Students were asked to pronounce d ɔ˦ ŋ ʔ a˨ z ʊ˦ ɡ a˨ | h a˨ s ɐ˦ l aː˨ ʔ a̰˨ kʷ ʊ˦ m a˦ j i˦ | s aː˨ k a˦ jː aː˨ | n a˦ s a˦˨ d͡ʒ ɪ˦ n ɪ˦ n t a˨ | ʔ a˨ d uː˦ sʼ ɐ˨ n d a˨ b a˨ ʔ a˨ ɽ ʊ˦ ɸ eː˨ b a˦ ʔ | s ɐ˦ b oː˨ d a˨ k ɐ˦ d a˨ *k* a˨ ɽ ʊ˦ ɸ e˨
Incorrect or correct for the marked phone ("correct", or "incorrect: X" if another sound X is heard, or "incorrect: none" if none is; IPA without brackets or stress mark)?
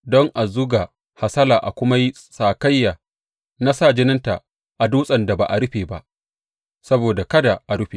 incorrect: ʔ